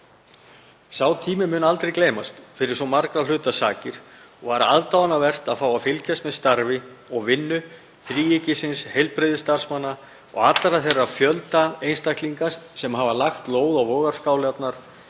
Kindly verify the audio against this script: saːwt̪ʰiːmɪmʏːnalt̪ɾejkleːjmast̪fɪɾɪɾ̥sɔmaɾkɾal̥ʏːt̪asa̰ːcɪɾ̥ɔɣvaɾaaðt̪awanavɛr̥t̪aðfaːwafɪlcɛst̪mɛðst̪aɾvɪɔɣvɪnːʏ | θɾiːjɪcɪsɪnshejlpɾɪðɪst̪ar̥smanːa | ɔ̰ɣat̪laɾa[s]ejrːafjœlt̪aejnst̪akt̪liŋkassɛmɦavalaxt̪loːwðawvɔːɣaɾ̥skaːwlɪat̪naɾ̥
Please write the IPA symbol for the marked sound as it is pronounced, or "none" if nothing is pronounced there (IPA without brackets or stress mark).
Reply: θ